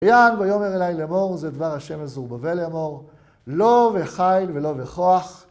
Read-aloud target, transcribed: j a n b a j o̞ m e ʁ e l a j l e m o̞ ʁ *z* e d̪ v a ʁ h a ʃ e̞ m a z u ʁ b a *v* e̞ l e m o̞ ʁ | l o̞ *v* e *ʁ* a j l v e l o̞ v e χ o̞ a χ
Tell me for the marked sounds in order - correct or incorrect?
correct, correct, correct, incorrect: χ

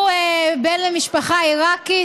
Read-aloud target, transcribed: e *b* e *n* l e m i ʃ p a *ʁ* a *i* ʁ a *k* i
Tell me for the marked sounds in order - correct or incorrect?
correct, correct, incorrect: χ, correct, correct

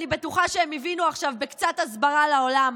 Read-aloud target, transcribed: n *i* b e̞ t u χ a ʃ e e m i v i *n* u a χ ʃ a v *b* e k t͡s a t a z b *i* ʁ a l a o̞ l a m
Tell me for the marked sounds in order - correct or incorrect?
correct, correct, correct, incorrect: a

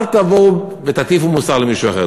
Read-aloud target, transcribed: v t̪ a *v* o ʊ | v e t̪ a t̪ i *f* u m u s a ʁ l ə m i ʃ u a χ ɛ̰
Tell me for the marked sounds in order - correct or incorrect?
correct, correct

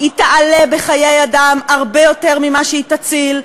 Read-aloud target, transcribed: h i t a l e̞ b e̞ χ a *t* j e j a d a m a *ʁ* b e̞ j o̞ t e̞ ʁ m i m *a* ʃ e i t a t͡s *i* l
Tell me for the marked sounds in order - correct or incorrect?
incorrect: none, correct, correct, correct

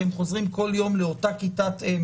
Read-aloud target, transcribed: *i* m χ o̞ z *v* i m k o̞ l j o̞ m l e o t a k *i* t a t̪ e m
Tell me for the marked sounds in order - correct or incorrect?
incorrect: e, incorrect: ʁ, correct

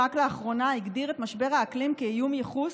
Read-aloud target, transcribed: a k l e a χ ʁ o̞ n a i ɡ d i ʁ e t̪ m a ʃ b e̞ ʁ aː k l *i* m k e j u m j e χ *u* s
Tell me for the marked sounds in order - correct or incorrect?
correct, correct

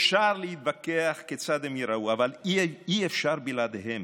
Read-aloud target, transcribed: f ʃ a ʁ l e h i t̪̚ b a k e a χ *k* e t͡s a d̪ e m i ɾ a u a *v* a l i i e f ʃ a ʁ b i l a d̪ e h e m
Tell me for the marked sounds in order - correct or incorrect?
correct, correct

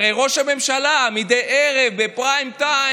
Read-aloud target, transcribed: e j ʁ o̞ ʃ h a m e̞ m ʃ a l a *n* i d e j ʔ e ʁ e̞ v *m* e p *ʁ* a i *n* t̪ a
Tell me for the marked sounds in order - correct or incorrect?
incorrect: m, incorrect: b, correct, incorrect: m

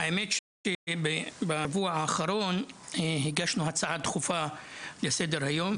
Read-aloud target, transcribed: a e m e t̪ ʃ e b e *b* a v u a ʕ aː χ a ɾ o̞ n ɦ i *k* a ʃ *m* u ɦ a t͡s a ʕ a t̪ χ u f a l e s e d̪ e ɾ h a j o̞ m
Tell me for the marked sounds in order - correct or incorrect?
correct, incorrect: ɡ, incorrect: n

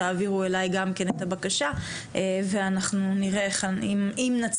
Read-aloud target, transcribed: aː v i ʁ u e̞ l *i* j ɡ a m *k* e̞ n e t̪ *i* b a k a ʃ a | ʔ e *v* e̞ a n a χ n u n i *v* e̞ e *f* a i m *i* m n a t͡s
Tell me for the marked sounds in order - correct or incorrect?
incorrect: a, correct, incorrect: a, correct, incorrect: ʁ, incorrect: χ, correct

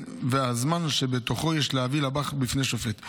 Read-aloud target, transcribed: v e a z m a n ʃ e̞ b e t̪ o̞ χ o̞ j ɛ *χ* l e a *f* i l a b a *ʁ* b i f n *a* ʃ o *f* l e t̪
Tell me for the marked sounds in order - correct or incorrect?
incorrect: ʃ, incorrect: v, incorrect: χ, incorrect: e, correct

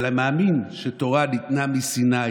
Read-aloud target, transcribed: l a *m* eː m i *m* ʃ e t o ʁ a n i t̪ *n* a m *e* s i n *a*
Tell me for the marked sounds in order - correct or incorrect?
correct, incorrect: n, correct, incorrect: i, correct

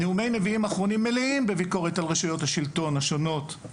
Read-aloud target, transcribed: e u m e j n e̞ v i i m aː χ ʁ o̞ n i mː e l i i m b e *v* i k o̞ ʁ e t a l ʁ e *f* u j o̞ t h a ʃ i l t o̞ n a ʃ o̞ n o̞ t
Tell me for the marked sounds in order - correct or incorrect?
correct, incorrect: ʃ

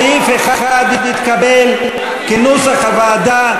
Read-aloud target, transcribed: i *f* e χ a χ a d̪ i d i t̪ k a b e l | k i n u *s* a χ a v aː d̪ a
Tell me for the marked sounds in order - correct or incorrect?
correct, correct

